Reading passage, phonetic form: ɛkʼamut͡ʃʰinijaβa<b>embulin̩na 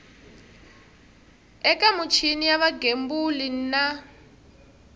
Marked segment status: incorrect: ɡ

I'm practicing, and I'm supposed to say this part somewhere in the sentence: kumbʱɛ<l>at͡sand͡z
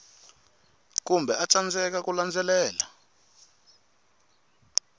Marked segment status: incorrect: none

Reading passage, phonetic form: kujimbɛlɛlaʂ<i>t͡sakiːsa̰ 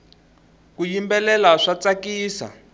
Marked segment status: incorrect: a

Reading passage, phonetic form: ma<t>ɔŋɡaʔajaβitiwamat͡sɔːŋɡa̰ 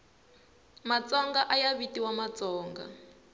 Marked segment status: incorrect: t͡s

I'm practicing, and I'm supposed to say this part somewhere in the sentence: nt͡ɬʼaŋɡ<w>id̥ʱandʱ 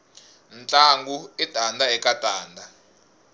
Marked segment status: incorrect: u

